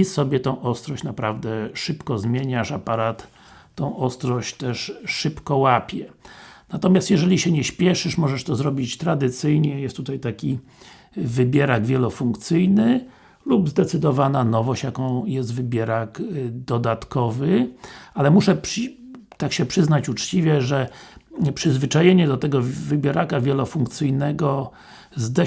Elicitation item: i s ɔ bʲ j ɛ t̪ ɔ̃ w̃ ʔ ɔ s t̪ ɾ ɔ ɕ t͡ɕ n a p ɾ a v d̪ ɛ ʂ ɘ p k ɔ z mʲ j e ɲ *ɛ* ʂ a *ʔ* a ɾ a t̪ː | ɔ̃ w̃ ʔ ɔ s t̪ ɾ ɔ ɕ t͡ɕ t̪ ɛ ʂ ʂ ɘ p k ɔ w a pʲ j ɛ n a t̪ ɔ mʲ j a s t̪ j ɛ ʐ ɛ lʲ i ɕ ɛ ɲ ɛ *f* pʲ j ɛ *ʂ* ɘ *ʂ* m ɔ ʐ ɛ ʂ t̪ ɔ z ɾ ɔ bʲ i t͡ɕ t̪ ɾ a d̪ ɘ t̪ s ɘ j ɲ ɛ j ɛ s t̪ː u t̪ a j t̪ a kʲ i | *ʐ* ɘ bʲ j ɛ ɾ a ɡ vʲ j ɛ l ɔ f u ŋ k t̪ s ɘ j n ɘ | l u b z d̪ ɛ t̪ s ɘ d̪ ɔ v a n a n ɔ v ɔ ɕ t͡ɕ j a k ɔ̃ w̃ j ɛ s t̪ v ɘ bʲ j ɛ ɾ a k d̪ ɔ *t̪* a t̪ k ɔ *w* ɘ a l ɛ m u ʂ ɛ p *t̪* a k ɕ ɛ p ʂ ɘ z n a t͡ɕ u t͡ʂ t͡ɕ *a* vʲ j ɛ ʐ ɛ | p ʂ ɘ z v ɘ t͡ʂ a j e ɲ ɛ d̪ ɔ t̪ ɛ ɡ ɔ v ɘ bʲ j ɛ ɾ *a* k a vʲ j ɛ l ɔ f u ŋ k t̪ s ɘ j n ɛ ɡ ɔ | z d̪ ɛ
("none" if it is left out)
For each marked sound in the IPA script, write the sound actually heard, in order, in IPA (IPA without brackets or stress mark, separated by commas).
a, p, ɕ, ʂ, ʂ, v, d̪, v, t̪, i, a